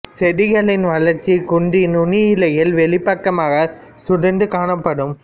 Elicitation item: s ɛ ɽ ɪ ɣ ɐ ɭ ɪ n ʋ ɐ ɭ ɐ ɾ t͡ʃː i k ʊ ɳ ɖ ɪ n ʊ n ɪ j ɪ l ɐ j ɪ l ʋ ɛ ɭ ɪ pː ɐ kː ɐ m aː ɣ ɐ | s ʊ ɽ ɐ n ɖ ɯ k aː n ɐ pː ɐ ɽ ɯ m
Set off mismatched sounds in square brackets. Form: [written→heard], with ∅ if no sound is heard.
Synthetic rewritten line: s ɛ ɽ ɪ ɣ ɐ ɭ ɪ n ʋ ɐ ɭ ɐ ɾ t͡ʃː i k ʊ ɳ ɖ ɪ n ʊ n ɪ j ɪ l ɐ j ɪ l ʋ ɛ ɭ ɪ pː ɐ kː ɐ m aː ɣ ɐ | s ʊ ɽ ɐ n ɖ ɯ k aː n ɐ pː ɐ ɽ ɯ m